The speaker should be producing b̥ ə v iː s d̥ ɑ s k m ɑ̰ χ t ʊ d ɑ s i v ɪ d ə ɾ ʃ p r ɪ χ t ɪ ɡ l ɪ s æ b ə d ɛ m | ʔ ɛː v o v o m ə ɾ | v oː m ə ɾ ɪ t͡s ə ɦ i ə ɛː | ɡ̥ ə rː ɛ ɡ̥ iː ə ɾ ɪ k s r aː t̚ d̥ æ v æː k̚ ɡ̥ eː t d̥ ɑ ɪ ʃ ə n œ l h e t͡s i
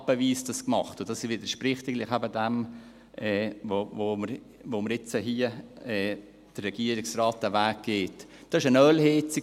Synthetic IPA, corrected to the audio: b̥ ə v iː s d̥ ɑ s k m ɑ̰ χ t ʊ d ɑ s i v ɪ d ə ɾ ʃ p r ɪ χ t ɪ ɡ l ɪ χ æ b ə d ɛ m | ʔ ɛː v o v o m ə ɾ | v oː m ə ɾ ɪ t͡s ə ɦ i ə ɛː | d̥ ə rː ɛ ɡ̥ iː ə ɾ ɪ k s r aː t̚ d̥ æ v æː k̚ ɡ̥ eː t d̥ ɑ ɪ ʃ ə n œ l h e t͡s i